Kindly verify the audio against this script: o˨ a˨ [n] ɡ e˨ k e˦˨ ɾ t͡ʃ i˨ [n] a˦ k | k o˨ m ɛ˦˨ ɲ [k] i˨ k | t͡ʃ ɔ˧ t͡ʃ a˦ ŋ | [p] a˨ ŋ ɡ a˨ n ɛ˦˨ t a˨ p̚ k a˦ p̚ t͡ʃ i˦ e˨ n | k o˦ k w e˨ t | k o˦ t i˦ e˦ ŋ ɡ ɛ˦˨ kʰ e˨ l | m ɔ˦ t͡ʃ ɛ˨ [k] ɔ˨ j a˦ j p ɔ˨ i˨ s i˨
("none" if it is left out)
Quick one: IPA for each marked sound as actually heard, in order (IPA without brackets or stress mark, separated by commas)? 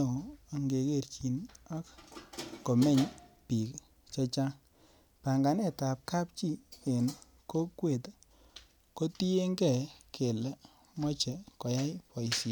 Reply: ŋ, n, p, p, k